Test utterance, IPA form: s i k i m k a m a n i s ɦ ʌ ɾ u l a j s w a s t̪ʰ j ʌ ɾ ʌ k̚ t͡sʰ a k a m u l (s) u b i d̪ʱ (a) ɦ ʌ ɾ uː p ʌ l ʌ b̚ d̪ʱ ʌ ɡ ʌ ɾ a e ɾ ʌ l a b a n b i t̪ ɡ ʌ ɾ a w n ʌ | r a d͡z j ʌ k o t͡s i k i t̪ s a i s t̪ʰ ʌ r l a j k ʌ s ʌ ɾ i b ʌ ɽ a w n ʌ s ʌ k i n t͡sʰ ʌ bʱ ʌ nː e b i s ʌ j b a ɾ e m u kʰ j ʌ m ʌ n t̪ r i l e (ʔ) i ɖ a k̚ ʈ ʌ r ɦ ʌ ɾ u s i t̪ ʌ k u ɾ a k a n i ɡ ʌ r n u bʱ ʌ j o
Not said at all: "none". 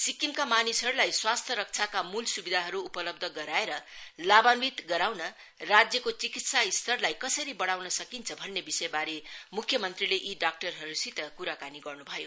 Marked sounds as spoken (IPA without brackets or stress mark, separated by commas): s, a, ʔ